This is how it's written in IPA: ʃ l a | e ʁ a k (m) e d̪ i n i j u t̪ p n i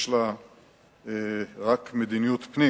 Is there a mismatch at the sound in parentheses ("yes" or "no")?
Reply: no